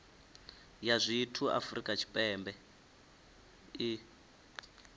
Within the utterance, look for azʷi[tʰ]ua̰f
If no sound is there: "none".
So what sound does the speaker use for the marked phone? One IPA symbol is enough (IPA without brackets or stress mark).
tʰ